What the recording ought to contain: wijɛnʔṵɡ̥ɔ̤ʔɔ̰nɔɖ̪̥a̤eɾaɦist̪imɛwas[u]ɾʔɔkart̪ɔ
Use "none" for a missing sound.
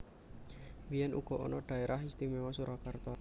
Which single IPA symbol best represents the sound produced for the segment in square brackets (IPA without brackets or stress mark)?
u